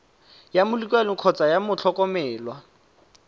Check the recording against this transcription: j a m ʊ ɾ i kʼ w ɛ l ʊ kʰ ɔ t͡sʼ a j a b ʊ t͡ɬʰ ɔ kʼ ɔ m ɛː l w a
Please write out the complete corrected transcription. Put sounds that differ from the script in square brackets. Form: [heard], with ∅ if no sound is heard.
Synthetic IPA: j a m ʊ [l] i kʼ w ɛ l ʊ kʰ ɔ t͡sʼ a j a [m] ʊ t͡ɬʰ ɔ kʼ ɔ m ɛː l w a